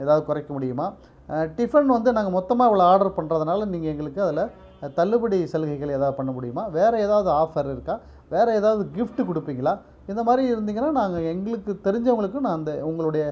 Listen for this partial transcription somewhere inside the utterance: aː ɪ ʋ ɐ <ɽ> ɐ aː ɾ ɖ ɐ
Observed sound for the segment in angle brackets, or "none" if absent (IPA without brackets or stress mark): ɭ